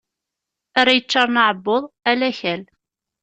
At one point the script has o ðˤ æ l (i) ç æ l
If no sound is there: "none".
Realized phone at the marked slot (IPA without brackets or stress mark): æ